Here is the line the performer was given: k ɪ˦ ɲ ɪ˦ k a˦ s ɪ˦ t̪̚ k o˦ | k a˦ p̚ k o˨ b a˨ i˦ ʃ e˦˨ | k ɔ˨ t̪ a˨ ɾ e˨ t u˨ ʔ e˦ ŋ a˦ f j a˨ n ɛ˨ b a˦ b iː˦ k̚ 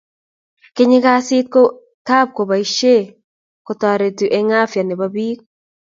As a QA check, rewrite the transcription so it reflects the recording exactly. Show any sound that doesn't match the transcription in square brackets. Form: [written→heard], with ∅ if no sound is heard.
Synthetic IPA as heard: k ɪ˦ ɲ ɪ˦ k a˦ s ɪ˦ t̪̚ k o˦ | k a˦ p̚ k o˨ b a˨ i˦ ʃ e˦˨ | k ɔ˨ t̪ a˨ ɾ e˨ t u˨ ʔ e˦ ŋ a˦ f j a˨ n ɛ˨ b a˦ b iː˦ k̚